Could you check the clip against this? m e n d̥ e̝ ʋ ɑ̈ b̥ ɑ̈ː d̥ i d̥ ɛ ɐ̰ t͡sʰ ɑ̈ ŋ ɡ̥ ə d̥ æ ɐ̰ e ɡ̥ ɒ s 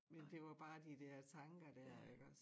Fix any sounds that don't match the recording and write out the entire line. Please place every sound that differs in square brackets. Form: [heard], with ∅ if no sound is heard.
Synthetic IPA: m e n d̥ e̝ ʋ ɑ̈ b̥ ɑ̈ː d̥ i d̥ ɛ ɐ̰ t͡sʰ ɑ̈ ŋ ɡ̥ [ɐ] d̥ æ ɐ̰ e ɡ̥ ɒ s

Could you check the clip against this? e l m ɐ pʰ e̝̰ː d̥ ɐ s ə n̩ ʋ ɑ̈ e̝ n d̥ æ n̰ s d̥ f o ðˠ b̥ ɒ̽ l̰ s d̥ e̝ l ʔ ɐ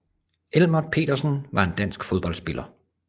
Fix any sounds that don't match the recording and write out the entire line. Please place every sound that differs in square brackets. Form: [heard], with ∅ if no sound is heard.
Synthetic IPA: e l m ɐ pʰ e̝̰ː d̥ ɐ s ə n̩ ʋ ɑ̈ e̝ n d̥ æ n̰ s [ɡ̥] f o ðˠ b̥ ɒ̽ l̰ s [b̥] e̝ l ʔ ɐ

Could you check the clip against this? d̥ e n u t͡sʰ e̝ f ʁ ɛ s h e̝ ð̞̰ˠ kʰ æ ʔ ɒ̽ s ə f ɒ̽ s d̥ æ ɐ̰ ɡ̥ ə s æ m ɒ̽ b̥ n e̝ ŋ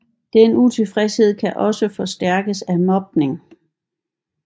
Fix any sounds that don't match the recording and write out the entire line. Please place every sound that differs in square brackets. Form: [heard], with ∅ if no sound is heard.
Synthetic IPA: d̥ e n u t͡sʰ e̝ f ʁ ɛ s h e̝ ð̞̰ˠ kʰ æ ʔ ɒ̽ s ə f ɒ̽ s d̥ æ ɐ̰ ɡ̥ ə s æ m ɒ̽ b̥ n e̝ ŋ

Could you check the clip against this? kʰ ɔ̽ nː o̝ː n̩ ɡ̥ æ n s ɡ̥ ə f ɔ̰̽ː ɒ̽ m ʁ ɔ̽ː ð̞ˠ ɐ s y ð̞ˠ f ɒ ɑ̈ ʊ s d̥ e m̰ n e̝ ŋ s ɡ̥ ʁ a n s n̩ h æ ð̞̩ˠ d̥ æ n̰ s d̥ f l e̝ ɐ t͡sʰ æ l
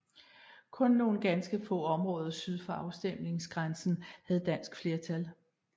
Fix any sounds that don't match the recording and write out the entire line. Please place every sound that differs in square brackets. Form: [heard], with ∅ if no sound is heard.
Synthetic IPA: kʰ ɔ̽ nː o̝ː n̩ ɡ̥ æ n s ɡ̥ ə f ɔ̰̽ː ɒ̽ m ʁ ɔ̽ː ð̞ˠ ɐ s y ð̞ˠ f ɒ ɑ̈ ʊ s d̥ e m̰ n e̝ ŋ s ɡ̥ ʁ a n s n̩ h æ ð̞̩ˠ d̥ æ n̰ s [ɡ̥] f l e̝ ɐ t͡sʰ æ l

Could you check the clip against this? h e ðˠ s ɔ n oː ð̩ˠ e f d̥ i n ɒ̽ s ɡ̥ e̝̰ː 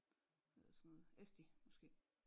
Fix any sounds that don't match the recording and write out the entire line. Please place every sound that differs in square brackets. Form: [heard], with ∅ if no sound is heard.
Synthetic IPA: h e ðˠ s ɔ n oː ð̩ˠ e [s] d̥ i [m] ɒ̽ s ɡ̥ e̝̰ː

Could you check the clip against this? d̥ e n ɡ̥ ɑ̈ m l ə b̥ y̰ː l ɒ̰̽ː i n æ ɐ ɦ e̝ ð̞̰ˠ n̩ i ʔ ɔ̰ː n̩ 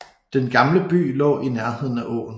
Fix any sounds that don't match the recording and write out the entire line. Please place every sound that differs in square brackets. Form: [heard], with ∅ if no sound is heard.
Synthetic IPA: d̥ e n ɡ̥ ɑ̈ m l ə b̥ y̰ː l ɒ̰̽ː i n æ ɐ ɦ e̝ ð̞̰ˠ n̩ [æ] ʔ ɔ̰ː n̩

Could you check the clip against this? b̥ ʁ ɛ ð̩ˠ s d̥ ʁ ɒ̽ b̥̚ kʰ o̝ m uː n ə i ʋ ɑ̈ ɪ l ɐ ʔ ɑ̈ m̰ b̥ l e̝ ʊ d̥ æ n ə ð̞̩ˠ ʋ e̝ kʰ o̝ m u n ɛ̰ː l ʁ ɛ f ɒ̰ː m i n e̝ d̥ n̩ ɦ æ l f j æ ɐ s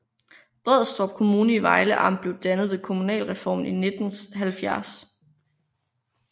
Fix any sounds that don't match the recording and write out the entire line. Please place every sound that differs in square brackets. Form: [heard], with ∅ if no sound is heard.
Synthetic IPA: b̥ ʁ ɛ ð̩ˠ s d̥ ʁ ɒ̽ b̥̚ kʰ o̝ m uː n ə i ʋ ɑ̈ ɪ l [ə] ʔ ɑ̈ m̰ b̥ l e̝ ʊ d̥ æ n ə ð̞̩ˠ ʋ e̝ kʰ o̝ m u n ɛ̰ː l ʁ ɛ f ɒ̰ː m i n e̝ d̥ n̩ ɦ æ l f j æ ɐ s

